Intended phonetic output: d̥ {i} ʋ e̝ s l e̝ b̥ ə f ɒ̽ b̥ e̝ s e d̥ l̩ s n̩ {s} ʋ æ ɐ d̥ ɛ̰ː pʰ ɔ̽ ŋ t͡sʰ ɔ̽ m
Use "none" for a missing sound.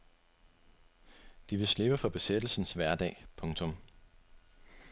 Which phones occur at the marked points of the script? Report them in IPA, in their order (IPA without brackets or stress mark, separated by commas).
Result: i, s